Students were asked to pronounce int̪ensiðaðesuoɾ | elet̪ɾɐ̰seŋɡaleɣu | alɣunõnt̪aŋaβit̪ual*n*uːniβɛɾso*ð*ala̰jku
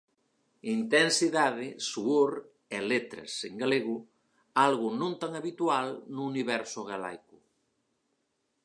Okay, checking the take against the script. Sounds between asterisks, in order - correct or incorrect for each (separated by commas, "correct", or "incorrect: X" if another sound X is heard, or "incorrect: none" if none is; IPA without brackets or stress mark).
correct, incorrect: ɣ